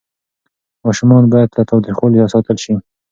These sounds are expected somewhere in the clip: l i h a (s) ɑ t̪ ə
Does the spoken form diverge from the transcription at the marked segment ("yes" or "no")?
no